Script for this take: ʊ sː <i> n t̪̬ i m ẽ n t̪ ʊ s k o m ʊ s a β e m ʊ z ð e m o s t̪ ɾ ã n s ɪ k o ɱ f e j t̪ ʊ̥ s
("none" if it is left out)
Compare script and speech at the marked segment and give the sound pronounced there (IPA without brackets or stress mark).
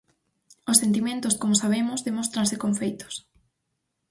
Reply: e